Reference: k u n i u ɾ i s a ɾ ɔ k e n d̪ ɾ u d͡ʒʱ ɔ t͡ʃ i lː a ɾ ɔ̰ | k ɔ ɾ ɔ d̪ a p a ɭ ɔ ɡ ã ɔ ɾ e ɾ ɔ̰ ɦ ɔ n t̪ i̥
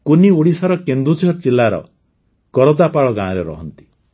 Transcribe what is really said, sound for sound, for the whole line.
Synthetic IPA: k u n i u ɽ i s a ɾ ɔ k e n d̪ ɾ u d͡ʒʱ ɔ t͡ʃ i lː a ɾ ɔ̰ | k ɔ ɾ ɔ d̪ a p a ɭ ɔ ɡ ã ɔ ɾ e ɾ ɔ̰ ɦ ɔ n t̪ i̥